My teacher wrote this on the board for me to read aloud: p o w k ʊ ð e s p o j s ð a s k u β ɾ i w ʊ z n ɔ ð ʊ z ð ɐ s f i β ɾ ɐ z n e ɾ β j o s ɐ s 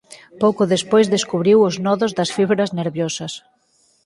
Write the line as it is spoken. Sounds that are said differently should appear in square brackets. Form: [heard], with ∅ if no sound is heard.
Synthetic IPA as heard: p o w k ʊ ð e s p o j [z] ð [e] s k u β ɾ i w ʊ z n ɔ ð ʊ z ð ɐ s f i β ɾ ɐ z n e ɾ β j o s ɐ s